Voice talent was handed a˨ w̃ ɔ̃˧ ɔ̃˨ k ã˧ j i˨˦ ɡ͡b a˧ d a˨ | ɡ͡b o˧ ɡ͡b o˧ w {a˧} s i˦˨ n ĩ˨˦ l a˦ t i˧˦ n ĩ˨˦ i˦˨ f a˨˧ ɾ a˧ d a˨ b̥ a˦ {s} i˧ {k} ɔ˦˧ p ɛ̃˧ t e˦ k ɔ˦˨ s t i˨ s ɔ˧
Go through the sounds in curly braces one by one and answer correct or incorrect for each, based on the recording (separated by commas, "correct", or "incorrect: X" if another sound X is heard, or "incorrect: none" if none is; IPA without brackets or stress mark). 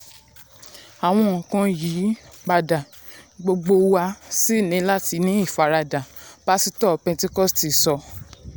correct, correct, incorrect: t